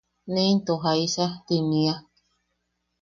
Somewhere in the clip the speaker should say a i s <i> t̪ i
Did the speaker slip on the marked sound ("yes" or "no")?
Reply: yes